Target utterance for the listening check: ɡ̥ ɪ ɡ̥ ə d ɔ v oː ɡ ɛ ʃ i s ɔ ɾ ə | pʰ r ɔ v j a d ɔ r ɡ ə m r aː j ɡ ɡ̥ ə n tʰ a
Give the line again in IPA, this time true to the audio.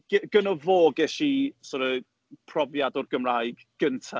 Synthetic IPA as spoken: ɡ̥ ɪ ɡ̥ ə n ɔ v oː ɡ ɛ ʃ i s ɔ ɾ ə | pʰ r ɔ v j a d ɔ r ɡ ə m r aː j ɡ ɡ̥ ə n tʰ a